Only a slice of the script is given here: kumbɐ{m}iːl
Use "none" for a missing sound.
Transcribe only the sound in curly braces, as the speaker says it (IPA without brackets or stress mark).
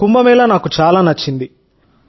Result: m